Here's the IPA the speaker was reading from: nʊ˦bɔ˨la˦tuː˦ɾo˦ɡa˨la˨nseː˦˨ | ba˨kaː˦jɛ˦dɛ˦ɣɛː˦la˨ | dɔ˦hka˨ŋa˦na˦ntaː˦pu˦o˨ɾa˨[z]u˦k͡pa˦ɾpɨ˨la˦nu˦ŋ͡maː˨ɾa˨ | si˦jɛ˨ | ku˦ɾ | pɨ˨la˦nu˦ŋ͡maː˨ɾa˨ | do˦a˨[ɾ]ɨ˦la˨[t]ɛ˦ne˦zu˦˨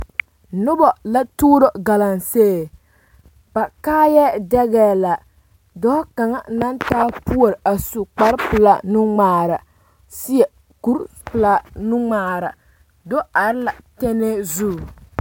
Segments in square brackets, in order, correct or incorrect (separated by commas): incorrect, correct, correct